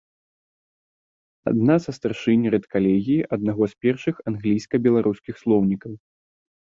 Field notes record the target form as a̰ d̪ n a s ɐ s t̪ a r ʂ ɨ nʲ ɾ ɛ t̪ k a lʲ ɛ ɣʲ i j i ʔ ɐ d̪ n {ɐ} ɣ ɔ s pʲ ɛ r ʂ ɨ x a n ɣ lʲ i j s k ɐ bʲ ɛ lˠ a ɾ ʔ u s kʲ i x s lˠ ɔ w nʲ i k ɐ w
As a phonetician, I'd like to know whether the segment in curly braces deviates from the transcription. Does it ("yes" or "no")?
yes